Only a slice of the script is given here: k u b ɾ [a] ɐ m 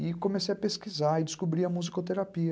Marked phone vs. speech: incorrect: i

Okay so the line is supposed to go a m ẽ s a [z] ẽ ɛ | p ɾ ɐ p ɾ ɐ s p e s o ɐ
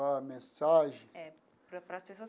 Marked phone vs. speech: incorrect: ʒ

